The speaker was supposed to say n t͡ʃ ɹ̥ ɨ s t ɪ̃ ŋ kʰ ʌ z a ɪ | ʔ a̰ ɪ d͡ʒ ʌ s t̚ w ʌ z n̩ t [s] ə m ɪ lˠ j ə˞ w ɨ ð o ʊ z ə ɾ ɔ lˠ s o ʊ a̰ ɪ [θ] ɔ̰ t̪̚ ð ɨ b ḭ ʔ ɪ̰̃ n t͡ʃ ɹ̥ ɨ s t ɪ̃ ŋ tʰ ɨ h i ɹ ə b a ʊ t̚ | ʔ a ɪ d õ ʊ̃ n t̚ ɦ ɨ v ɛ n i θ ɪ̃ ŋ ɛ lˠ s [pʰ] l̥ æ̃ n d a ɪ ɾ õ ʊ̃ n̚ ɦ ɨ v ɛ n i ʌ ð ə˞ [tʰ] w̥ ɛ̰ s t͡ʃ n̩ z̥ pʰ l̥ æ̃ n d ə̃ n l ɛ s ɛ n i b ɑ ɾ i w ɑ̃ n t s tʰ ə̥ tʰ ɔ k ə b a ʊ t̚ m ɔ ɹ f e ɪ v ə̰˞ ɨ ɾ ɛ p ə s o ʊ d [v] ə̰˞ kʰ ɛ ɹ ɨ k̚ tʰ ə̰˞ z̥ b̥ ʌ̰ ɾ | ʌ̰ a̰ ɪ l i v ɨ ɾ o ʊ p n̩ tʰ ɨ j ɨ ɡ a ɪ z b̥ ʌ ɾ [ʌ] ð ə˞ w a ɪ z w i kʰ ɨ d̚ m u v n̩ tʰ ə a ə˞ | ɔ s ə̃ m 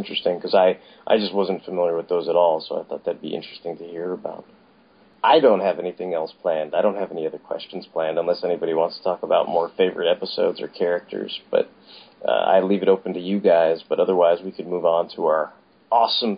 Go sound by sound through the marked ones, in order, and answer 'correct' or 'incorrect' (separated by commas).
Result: incorrect, correct, correct, incorrect, incorrect, correct